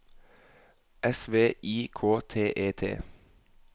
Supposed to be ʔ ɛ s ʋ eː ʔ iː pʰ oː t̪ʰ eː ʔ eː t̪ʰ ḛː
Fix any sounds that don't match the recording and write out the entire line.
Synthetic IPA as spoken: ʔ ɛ s ʋ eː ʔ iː kʰ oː t̪ʰ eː ʔ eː t̪ʰ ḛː

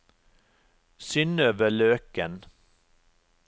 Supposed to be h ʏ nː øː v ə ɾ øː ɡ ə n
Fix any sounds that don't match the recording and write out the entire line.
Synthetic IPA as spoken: s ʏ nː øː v ə ɭ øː k ə n

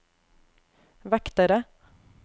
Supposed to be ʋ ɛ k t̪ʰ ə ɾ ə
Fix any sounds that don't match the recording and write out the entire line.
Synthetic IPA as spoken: ʋ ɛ k t̪ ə ɾ ə

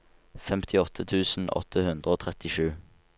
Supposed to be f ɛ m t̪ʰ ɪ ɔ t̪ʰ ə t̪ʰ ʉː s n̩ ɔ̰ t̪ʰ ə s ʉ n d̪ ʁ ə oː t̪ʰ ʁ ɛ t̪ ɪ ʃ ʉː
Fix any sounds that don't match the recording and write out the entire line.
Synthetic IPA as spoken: f ɛ m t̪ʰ ɪ ɔ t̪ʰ ə t̪ʰ ʉː s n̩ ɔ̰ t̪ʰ ə h ʉ n d̪ ʁ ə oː t̪ʰ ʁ ɛ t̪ ɪ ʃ ʉː

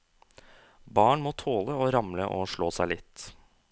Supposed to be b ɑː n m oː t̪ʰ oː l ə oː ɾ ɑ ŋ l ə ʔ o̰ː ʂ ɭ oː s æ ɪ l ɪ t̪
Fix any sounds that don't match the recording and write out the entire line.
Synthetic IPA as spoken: b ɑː ɳ m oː t̪ʰ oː l ə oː ɾ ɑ m l ə ʔ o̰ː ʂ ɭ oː s æ ɪ l ɪ t̪

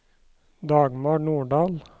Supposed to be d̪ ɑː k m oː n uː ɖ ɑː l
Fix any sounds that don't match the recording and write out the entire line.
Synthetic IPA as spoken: d̪ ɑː ɡ m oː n uː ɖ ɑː l

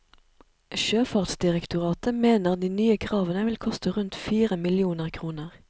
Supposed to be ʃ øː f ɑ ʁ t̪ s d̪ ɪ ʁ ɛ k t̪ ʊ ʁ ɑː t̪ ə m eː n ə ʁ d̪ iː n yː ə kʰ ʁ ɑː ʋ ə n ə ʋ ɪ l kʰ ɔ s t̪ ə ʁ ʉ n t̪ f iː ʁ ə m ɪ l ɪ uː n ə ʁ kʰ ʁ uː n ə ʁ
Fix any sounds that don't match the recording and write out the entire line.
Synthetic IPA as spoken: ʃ øː f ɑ ʁ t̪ s d̪ ɪ ʁ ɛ k t̪ ʊ ʁ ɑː t̪ ə m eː n ə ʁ d̪ iː n yː ə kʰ ʁ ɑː ʋ ə n ə ʋ ɪ l kʰ ɔ s t̪ ə ʁ ʉ n t̪ f iː ʁ ə m ɪ l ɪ uː n ə ʁ kʰ ʁ uː n ə ʁ

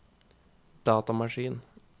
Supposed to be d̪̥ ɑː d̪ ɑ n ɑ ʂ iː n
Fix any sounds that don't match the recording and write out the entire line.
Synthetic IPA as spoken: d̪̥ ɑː t̪ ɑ m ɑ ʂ iː n

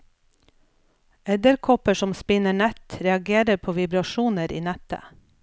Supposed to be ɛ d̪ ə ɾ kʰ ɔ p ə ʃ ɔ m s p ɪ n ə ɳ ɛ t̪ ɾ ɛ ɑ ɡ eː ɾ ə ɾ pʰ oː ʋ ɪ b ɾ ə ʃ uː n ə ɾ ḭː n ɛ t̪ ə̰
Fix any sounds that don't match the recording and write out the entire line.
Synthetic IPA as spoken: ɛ d̪ ə ɾ kʰ ɔ p ə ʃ ɔ m s p ɪ n ə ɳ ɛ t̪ ɾ ɛ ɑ ɡ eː ɾ ə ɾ pʰ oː ʋ ɪ b ɾ ɑ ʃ uː n ə ɾ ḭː n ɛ t̪ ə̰

